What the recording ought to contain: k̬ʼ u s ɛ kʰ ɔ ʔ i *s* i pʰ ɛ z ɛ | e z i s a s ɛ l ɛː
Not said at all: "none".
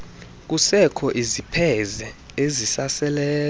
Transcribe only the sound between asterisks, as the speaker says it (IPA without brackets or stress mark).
z